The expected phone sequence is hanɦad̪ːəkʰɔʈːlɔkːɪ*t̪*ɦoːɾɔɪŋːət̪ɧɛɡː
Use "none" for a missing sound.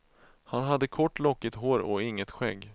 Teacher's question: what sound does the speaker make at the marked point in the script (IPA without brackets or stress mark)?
t̪